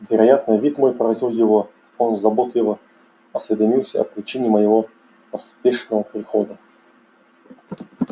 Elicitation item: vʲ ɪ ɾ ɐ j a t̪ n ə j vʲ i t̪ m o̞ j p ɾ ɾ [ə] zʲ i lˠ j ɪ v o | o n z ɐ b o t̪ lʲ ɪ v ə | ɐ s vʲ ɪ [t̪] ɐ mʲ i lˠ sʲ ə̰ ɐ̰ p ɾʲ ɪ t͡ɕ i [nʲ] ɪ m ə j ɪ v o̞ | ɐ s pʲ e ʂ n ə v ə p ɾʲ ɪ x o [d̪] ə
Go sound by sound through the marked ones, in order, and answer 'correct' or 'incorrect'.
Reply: incorrect: ɐ, incorrect: d̪, correct, correct

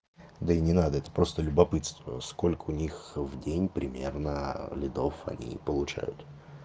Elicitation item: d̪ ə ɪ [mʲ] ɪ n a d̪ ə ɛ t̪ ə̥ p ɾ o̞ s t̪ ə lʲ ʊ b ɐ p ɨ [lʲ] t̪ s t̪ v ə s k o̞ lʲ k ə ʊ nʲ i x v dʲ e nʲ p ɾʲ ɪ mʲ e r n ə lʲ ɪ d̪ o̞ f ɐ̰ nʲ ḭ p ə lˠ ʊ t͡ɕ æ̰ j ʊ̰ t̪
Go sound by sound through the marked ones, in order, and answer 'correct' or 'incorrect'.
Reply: incorrect: nʲ, incorrect: none

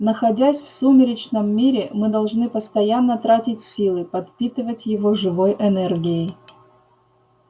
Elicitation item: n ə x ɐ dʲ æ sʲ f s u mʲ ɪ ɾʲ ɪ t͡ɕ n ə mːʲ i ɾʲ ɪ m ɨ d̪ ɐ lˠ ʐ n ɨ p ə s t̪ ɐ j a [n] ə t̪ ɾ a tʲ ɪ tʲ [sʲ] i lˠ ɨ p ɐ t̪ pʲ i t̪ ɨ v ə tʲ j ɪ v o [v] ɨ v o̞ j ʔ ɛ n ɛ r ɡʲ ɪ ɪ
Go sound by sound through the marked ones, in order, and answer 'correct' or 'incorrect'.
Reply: incorrect: nː, correct, incorrect: ʐ

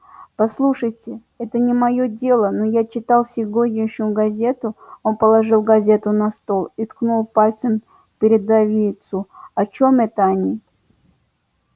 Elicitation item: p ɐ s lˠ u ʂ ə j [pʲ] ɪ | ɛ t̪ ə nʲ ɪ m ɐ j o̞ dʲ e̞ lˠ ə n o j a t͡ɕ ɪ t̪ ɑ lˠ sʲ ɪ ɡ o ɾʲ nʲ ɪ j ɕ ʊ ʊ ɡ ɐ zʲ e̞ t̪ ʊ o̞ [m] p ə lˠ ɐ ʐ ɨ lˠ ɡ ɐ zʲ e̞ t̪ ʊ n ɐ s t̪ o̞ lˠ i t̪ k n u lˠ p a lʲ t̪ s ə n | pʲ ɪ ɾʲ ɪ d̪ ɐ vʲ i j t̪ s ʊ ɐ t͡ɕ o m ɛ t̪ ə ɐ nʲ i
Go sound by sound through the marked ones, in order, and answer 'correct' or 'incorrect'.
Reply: incorrect: tʲ, incorrect: n

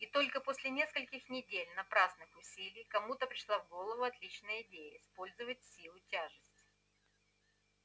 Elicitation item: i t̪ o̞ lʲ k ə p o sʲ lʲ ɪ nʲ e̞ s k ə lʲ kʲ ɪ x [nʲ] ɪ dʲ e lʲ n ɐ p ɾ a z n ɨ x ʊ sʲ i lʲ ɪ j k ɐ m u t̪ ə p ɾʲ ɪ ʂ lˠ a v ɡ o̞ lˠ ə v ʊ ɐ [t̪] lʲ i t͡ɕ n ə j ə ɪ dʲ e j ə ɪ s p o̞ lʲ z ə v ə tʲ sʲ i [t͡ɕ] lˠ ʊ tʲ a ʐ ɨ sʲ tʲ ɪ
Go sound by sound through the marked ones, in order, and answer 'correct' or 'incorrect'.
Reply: correct, correct, incorrect: none

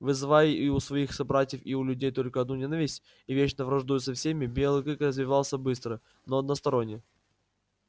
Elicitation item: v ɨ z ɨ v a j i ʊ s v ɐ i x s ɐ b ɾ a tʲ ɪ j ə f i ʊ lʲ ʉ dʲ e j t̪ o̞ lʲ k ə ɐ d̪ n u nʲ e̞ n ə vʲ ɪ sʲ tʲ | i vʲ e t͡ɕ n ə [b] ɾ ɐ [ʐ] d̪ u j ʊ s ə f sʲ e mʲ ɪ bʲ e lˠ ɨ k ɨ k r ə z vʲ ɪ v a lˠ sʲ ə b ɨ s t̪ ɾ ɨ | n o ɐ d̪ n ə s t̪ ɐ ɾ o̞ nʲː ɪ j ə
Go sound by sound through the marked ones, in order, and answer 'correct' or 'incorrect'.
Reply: incorrect: v, correct

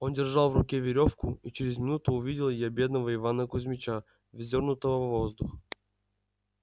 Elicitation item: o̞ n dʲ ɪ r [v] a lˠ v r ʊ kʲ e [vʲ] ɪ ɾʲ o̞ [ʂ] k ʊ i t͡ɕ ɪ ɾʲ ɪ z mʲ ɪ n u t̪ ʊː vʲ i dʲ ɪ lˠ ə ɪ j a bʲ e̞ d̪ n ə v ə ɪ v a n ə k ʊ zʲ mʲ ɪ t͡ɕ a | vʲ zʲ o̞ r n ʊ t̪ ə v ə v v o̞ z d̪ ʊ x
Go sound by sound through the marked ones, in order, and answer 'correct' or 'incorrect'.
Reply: incorrect: ʐ, correct, incorrect: f

